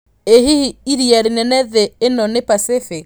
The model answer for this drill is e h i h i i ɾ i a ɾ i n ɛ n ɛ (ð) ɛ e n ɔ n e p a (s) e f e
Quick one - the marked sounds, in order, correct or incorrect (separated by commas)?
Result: correct, correct